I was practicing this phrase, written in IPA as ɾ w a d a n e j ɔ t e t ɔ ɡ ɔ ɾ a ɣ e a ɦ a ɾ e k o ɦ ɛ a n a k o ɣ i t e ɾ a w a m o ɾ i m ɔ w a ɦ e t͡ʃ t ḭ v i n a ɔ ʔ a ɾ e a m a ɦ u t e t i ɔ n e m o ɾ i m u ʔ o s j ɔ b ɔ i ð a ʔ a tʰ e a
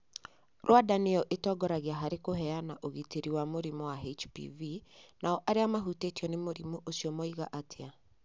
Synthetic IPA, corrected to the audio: ɾ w a d a n e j ɔ ʔ e t ɔ ɡ ɔ ɾ a ɣ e a ɦ a ɾ e k o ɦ ɛ a n a ʔ o ɣ i t e ɾ i w a m o ɾ i m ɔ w a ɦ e t͡ʃ p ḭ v i n a ɔ ʔ a ɾ e a m a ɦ u t e t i ɔ n e m o ɾ i m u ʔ o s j ɔ m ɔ i ɣ a ʔ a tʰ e a

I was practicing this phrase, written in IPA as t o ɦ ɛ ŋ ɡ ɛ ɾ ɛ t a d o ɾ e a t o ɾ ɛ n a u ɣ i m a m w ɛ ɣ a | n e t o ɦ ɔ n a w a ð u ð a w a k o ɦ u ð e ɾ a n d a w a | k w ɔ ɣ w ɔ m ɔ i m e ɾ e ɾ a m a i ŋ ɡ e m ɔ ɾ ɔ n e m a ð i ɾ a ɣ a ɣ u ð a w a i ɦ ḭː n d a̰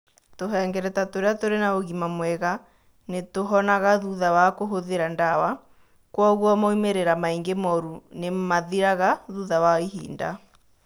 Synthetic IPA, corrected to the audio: t o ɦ ɛ ŋ ɡ ɛ ɾ ɛ t a t o ɾ e a t o ɾ e n a o ɣ i m a m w ɛ ɣ a | n e t o ɦ ɔ n a ɣ a ð u ð a w a k o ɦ o ð e ɾ a n d a w a | k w ɔ ɣ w ɔ m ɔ i m e ɾ e ɾ a m a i ŋ ɡ e m ɔ ɾ u n e m a ð i ɾ a ɣ a ð u ð a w a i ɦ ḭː n d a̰

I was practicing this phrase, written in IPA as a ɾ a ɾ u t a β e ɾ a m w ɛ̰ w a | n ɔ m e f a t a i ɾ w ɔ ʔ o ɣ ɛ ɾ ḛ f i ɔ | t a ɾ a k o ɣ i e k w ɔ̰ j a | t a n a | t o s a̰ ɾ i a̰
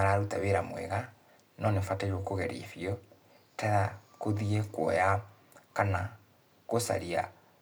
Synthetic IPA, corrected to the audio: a ɾ a ɾ u t a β e ɾ a m w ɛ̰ ɣ a | n ɔ n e f a t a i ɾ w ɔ k o ɣ ɛ ɾ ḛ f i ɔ | t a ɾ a k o ð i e k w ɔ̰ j a | k a n a | k o s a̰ ɾ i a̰

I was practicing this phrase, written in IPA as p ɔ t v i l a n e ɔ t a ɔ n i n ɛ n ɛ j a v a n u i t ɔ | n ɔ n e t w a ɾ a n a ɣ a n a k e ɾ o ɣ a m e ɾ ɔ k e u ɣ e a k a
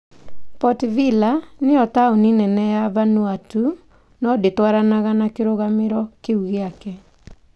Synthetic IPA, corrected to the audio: p ɔ t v i l a n e ɔ t a o n i n ɛ n ɛ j a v a n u a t u | n ɔ d e t w a ɾ a n a ɣ a n a k e ɾ o ɣ a m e ɾ ɔ k e u ɣ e a k ɛ

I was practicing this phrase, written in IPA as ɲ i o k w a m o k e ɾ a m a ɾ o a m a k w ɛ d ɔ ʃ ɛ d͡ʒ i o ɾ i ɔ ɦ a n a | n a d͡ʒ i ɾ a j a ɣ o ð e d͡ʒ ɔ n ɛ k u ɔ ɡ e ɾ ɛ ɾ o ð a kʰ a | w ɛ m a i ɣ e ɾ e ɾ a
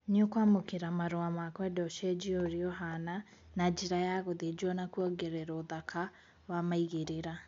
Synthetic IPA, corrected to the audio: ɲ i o k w a m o k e ɾ a m a ɾ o a m a k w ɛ d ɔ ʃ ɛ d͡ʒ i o ɾ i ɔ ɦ a n a | n a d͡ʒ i ɾ a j a ɣ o ð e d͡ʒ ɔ n a k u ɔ ɡ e ɾ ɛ ɾ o ð a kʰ a | w a m a i ɣ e ɾ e ɾ a

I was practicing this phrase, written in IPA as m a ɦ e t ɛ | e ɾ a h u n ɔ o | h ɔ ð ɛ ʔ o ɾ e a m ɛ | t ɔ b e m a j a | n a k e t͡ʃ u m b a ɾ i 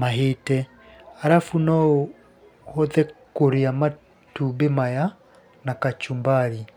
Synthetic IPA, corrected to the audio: m a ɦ e t ɛ | a ɾ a f u n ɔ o | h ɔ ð ɛ k o ɾ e a m a | t u b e m a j a | n a k a t͡ʃ u m b a ɾ i

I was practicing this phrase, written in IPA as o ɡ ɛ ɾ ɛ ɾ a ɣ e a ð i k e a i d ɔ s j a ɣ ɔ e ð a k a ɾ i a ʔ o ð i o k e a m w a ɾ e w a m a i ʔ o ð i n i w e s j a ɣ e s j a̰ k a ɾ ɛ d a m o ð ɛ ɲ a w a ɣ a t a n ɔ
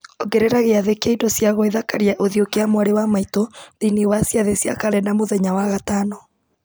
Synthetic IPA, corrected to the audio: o ɡ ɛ ɾ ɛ ɾ a ɣ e a ð e k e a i d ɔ s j a ɣ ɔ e ð a k a ɾ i a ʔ o ð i o k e a m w a ɾ e w a m a i t o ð i n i w a s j a ð e s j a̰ k a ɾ ɛ n a m o ð ɛ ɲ a w a ɣ a t a n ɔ

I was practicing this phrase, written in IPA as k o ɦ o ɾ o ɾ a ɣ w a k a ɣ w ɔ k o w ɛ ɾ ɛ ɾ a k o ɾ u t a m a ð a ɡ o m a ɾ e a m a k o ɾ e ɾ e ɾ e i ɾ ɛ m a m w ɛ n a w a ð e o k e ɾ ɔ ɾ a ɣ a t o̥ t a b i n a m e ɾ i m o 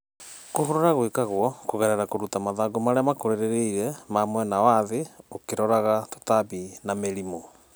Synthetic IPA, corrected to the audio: k o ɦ o ɾ o ɾ a ɣ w e k a ɣ w ɔ k o ɣ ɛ ɾ ɛ ɾ a k o ɾ u t a m a ð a ɡ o m a ɾ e a m a k o ɾ e ɾ e ɾ e i ɾ ɛ m a m w ɛ n a w a ð e o k e ɾ ɔ ɾ a ɣ a t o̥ t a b i n a m e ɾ i m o

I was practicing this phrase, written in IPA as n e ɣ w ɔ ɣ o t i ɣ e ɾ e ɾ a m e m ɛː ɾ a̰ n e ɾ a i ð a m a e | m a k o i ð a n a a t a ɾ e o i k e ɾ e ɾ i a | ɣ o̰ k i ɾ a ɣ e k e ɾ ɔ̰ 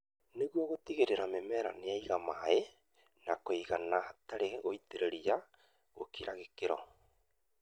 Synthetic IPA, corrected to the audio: n e ɣ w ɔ ɣ o t i ɣ e ɾ e ɾ a m e m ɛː ɾ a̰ n e a i ɣ a m a e | n a k o i ɣ a n a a t a ɾ e o i t e ɾ e ɾ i a | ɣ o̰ k i ɾ a ɣ e k e ɾ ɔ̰

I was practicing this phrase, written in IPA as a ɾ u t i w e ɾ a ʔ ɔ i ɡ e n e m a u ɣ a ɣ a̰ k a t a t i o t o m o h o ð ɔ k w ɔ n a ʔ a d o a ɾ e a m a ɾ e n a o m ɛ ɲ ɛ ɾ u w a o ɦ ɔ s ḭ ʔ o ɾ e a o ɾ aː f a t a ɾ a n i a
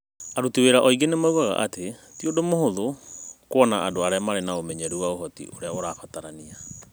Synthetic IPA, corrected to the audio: a ɾ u t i w e ɾ a ʔ ɔ i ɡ e n e m a u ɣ a ɣ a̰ ʔ a t e t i o d o m o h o ð o k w ɔ n a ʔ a d o a ɾ e a m a ɾ e n a o m ɛ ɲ ɛ ɾ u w a o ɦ ɔ t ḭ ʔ o ɾ e a o ɾ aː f a t a ɾ a n i a

